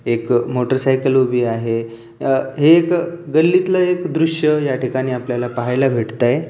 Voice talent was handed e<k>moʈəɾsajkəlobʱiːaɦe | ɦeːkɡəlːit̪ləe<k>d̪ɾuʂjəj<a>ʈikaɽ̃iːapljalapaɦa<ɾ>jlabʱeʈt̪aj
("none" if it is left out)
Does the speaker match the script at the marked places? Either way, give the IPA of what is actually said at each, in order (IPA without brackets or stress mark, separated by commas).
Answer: k, k, a, none